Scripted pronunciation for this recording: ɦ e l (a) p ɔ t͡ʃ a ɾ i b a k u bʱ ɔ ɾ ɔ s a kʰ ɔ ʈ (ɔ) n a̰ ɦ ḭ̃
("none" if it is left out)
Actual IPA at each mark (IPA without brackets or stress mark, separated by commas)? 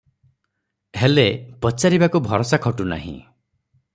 e, u